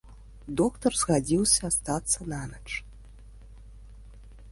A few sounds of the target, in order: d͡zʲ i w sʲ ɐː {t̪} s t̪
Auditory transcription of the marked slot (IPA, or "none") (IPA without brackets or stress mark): none